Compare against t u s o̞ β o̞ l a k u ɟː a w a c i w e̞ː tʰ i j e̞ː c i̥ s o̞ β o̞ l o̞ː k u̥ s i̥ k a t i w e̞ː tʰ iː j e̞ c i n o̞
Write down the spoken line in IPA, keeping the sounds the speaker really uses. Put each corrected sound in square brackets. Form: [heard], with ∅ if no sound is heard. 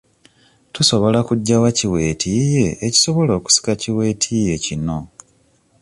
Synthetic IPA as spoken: t u s o̞ β o̞ l a k u ɟː a w a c i w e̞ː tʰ i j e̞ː c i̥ s o̞ β o̞ l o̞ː k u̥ s i̥ k a [c] i w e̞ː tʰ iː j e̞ c i n o̞

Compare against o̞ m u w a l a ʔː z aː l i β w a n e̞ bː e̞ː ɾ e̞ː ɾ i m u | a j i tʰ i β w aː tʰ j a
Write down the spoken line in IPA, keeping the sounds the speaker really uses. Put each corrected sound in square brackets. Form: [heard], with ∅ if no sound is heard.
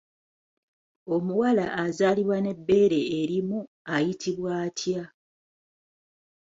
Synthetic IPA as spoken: o̞ m u w a l a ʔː z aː l i β w a n e̞ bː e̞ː ɾ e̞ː ɾ i m u | a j i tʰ i β w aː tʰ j a

